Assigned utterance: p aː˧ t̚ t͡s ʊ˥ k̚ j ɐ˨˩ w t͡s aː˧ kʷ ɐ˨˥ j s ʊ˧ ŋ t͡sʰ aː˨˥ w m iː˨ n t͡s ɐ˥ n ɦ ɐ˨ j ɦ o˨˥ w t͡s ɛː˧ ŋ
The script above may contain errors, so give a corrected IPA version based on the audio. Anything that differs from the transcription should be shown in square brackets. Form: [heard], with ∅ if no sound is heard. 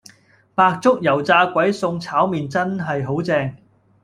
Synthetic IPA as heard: p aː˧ [k̚] t͡s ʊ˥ k̚ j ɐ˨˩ w t͡s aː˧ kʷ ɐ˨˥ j s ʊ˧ ŋ t͡sʰ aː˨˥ w m iː˨ n t͡s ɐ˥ n ɦ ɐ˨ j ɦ o˨˥ w t͡s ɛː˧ ŋ